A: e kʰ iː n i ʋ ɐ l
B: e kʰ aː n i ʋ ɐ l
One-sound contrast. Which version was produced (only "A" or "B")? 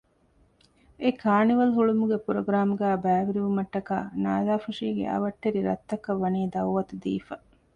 B